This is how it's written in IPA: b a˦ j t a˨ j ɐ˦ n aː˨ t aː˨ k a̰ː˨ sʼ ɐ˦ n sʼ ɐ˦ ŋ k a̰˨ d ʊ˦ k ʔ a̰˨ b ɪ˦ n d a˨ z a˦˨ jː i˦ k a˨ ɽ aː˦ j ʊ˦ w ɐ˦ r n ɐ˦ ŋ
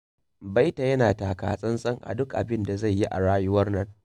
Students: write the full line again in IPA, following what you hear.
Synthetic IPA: b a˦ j t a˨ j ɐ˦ n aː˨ t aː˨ k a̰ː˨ sʼ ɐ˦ n sʼ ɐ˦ ŋ ʔ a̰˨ d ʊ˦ k ʔ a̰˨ b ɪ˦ n d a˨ z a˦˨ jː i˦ ʔ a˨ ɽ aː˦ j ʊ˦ w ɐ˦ r n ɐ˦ ŋ